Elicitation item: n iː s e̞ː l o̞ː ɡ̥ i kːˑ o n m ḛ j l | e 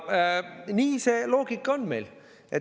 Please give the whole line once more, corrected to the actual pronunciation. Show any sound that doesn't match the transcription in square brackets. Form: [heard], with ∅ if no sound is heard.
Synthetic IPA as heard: n iː s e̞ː l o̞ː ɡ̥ i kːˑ o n m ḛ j l | e